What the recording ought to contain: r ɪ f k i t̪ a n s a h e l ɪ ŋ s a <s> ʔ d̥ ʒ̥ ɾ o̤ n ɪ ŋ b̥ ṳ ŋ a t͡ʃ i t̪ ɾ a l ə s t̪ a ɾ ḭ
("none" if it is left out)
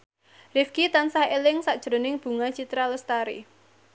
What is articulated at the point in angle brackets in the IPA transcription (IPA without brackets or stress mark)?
none